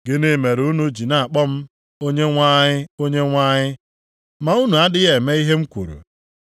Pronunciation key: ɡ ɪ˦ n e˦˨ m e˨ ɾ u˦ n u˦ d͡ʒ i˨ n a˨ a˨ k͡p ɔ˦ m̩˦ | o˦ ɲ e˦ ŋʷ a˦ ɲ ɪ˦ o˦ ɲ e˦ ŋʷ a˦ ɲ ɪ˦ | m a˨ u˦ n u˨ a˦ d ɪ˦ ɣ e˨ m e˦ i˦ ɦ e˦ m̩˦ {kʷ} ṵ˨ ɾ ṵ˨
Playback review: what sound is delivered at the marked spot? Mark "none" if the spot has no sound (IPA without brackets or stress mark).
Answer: kʷ